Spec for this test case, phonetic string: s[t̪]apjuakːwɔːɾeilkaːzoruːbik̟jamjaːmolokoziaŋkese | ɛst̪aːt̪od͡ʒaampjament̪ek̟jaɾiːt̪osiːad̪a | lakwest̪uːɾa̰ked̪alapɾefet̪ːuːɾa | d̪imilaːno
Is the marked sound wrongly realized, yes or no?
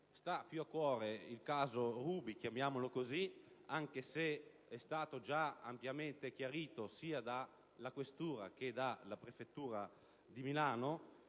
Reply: no